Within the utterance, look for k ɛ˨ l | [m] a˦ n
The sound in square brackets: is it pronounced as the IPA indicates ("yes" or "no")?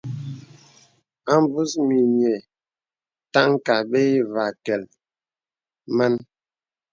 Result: yes